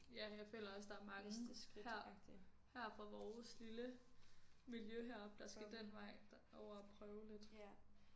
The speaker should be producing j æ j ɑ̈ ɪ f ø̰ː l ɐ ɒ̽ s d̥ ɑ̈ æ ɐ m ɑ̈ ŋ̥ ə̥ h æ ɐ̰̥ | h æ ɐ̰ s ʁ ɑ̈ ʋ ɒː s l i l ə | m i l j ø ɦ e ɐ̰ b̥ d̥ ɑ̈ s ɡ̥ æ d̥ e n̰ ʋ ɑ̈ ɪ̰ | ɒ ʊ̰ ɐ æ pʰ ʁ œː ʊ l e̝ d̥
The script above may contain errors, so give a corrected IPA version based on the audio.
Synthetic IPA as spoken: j æ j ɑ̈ ɪ f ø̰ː l ɐ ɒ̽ s d̥ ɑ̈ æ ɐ m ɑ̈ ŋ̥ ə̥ h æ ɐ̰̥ | h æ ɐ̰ f ʁ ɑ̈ ʋ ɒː s l i l ə | m i l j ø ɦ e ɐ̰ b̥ d̥ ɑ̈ s ɡ̥ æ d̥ e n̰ ʋ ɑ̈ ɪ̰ | ɒ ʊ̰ ɐ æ pʰ ʁ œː ʊ l e̝ d̥